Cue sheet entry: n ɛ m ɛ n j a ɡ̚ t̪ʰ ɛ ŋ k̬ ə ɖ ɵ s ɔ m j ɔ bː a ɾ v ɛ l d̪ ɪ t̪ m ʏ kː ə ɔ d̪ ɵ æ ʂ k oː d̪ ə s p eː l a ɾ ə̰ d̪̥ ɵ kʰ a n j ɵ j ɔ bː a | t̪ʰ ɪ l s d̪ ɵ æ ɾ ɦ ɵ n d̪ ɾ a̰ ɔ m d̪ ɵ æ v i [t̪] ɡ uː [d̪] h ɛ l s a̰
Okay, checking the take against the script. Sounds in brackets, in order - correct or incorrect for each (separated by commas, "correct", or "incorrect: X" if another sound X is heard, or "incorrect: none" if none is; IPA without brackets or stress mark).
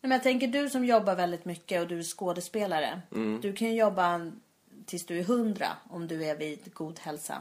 incorrect: d̪, correct